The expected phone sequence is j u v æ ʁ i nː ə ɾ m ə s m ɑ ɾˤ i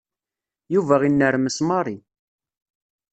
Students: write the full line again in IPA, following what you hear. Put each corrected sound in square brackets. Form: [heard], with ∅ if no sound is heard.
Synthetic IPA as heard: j u v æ ʁ i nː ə ɾ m ə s m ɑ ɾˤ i